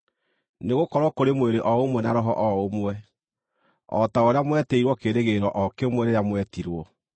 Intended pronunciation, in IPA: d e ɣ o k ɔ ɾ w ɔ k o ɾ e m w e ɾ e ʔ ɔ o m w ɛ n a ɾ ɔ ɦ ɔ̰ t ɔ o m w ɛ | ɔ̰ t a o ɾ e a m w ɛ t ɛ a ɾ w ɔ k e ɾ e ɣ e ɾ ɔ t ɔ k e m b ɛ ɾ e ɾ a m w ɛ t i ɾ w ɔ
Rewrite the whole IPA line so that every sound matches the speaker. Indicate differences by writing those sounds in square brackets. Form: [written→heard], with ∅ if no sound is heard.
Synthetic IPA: [d→n] e ɣ o k ɔ ɾ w ɔ k o ɾ e m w e ɾ e ʔ ɔ o m w ɛ n a ɾ ɔ ɦ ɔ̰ [t→ʔ] ɔ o m w ɛ | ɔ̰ t a o ɾ e a m w ɛ t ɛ [a→i] ɾ w ɔ k e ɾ e ɣ e ɾ ɔ [t→ʔ] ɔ k e m [b→w] ɛ ɾ e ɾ a m w ɛ t i ɾ w ɔ